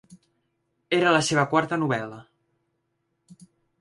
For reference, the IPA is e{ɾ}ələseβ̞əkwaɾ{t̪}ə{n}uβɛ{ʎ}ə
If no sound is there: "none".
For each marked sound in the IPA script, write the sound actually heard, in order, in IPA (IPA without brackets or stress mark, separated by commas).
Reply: ɾ, t̪, n, l